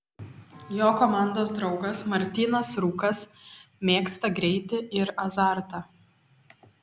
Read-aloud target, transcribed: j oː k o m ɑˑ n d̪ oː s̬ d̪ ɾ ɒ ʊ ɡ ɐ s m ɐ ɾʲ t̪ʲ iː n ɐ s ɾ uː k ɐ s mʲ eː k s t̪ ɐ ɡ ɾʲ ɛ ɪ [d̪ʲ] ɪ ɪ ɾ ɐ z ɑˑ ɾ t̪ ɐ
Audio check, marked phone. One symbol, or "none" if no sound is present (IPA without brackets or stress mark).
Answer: t̪ʲ